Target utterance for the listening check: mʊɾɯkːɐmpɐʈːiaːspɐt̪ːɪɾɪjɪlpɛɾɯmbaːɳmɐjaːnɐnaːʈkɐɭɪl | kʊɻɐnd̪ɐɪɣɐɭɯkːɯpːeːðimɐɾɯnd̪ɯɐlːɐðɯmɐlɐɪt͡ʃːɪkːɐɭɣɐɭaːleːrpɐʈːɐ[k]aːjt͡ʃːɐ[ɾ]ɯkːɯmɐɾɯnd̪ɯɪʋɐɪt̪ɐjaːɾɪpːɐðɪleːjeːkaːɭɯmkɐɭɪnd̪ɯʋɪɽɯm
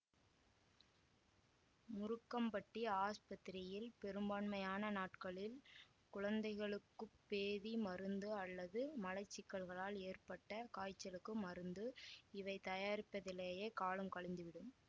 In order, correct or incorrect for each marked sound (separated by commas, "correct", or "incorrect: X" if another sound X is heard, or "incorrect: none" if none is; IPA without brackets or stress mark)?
correct, incorrect: l